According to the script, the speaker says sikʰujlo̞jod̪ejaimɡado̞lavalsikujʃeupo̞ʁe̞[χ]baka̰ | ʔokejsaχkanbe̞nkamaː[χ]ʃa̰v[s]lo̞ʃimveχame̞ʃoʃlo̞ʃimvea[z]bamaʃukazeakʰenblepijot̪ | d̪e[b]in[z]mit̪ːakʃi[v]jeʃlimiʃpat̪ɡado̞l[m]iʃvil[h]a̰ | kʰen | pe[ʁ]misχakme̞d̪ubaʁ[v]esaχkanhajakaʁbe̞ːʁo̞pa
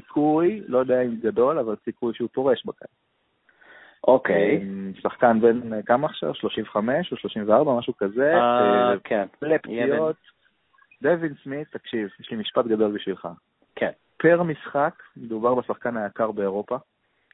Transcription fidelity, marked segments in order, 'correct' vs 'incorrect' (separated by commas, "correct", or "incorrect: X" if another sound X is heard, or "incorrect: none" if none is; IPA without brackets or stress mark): incorrect: ʃ, correct, incorrect: ʃ, incorrect: ʁ, incorrect: v, incorrect: s, correct, incorrect: b, incorrect: χ, correct, incorrect: b